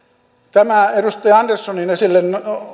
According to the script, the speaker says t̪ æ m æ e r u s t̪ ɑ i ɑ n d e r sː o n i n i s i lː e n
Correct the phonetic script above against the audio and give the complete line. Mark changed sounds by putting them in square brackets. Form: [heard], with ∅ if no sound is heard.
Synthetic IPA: t̪ æ m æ e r u s t̪ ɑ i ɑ n d e r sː o n i n [e] s i lː e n